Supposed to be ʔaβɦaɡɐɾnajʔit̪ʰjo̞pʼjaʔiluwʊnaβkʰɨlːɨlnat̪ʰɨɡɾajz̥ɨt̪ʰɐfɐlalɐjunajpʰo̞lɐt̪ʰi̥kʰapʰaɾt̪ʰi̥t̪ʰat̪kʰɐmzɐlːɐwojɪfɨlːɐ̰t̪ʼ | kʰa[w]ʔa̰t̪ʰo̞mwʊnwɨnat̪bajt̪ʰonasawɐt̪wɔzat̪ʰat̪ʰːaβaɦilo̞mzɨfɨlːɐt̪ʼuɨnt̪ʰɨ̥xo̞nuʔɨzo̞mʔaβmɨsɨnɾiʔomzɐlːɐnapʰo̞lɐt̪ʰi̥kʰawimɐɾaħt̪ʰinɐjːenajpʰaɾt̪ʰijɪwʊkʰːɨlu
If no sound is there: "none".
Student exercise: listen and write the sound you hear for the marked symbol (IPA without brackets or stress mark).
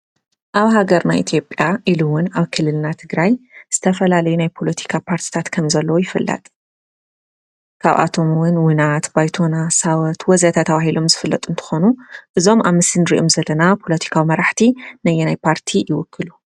β